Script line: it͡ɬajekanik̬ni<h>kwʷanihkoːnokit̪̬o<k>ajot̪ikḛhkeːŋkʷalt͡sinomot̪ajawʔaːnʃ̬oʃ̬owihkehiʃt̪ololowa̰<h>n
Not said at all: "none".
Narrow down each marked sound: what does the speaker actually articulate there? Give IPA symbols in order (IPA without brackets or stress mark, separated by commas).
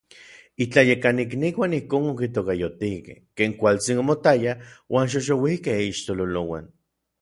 none, k, none